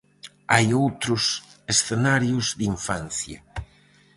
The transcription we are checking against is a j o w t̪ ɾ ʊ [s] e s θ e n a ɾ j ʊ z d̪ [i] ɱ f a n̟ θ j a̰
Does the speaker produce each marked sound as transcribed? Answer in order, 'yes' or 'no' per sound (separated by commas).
yes, yes